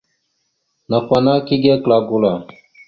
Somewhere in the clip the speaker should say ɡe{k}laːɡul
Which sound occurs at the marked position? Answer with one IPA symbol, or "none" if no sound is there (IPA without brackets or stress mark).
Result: k